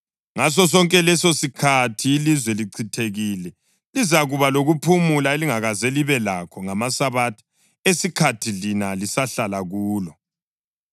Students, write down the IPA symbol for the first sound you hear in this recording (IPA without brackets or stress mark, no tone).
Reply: ŋ